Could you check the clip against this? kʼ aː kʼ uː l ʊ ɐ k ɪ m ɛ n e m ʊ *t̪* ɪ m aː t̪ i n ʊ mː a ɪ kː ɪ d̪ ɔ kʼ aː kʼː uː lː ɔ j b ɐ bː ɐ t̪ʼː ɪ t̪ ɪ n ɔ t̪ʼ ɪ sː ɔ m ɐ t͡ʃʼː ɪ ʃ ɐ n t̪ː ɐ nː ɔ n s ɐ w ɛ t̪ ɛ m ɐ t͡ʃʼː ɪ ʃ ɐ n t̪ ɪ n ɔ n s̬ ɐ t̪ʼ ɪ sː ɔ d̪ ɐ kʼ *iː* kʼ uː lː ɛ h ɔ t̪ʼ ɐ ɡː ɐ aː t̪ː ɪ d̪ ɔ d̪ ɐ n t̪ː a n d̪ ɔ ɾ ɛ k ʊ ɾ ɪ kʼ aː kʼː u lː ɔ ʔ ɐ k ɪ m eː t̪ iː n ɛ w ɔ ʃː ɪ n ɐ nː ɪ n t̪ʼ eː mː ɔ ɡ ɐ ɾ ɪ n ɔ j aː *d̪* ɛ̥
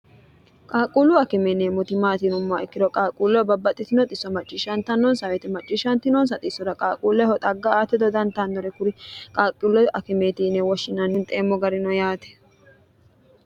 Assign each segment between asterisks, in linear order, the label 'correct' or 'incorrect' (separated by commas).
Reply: correct, incorrect, incorrect